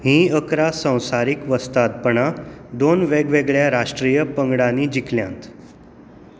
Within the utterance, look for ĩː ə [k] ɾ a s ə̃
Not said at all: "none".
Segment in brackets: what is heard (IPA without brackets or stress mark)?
k